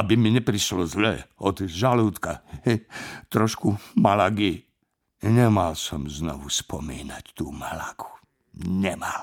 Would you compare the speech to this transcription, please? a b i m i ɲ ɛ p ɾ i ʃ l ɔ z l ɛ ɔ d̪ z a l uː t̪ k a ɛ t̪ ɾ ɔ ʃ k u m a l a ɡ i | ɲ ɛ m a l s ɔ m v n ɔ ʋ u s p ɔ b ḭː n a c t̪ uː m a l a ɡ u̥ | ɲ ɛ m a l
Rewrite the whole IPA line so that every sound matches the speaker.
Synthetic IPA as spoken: a b i m i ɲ ɛ p ɾ i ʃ l ɔ z l ɛ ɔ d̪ ʒ a l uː t̪ k a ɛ t̪ ɾ ɔ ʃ k u m a l a ɡ i | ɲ ɛ m a l s ɔ m z n ɔ ʋ u s p ɔ m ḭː n a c t̪ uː m a l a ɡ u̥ | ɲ ɛ m a l